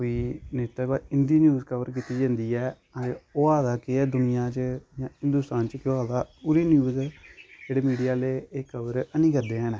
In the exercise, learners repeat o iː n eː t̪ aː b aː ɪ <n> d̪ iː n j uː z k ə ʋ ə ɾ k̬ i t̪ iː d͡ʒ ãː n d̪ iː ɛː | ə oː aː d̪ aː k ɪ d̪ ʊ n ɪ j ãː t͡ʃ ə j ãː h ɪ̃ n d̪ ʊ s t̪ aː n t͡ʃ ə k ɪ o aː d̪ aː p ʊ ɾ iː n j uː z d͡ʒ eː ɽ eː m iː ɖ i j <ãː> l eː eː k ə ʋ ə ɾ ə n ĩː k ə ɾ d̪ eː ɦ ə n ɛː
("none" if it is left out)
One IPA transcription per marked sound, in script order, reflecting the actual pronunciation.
n, aː

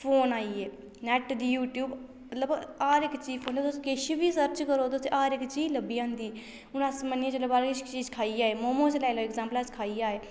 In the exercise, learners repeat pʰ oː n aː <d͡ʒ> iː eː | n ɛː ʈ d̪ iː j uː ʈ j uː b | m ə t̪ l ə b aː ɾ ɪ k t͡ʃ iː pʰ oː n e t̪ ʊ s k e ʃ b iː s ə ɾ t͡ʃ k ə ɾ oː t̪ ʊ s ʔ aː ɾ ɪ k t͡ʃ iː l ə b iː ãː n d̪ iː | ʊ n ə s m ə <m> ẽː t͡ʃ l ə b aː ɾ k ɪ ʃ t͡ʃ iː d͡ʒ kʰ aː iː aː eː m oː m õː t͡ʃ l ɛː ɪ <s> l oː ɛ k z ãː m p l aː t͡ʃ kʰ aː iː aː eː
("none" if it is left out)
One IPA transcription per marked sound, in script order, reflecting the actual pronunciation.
none, n, none

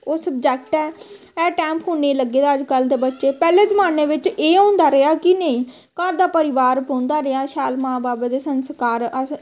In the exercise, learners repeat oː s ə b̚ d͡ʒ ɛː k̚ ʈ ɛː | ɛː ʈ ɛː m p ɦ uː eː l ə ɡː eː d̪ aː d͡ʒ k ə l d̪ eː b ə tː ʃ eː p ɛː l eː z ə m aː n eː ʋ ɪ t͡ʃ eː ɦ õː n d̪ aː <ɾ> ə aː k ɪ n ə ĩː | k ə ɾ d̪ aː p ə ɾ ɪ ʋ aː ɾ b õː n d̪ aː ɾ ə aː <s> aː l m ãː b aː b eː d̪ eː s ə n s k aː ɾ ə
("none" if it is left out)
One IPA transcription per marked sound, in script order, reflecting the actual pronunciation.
ɾ, ʃ

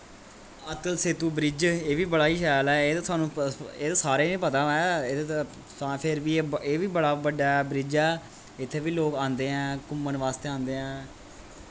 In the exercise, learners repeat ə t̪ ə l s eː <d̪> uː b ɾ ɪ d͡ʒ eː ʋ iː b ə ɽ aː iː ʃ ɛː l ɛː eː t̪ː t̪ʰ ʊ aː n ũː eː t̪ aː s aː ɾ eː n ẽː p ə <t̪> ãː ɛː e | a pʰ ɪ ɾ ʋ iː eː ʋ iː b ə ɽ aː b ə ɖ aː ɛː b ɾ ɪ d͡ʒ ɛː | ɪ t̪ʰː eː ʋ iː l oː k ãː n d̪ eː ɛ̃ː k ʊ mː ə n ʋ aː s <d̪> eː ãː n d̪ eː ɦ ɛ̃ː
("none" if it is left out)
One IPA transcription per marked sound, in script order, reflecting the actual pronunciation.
t̪, t̪, t̪

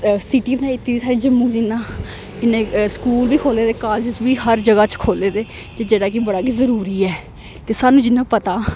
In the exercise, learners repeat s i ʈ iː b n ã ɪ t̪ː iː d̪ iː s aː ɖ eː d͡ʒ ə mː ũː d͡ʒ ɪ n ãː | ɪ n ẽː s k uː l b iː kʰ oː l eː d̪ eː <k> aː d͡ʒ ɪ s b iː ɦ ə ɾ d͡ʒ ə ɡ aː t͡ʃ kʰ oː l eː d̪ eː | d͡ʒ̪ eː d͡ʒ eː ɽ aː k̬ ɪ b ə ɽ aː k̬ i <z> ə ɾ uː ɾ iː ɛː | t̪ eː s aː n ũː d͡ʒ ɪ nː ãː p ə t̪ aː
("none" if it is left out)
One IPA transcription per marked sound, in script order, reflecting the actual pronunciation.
k, z

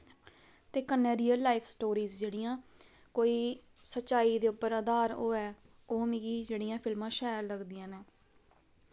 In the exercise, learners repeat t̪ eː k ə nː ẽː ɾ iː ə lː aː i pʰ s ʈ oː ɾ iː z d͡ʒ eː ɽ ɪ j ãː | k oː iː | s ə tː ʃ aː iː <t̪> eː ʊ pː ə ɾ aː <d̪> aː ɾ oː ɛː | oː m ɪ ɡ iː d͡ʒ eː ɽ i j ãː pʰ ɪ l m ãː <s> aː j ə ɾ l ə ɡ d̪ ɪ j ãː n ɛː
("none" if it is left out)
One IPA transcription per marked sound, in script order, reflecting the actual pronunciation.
d̪, d̪, ʃ

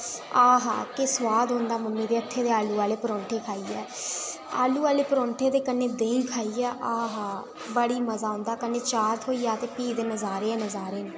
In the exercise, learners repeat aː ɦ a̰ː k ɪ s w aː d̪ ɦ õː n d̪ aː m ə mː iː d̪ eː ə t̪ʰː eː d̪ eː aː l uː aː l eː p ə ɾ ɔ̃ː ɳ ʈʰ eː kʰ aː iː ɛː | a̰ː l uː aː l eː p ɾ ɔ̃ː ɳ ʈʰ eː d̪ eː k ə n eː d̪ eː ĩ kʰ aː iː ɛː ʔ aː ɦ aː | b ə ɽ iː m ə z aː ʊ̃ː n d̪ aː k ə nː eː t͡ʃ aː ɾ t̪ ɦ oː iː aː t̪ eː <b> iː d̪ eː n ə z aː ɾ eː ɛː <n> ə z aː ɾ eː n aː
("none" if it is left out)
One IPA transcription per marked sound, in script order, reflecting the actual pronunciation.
p, n

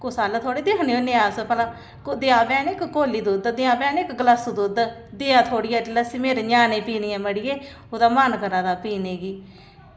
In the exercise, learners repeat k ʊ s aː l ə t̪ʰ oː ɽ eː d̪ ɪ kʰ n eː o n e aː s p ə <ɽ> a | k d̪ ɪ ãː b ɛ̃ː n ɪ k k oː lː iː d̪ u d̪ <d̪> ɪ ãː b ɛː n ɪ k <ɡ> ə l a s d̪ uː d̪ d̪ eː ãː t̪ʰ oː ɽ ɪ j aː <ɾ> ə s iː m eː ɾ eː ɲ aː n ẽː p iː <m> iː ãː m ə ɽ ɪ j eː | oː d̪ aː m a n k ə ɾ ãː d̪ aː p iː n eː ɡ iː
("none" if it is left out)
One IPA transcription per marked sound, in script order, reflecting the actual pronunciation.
l, d̪, ɡ, l, n

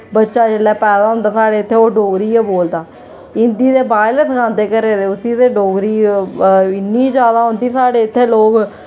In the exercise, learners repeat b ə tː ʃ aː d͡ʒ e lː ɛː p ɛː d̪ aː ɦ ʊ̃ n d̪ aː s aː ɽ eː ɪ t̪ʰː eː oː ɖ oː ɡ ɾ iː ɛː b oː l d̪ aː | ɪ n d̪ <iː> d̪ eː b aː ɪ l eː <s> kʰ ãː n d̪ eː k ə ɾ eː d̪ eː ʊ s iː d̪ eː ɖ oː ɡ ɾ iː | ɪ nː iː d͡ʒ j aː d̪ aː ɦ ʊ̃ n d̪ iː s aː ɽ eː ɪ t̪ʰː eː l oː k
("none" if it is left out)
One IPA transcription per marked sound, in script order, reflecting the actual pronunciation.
iː, s

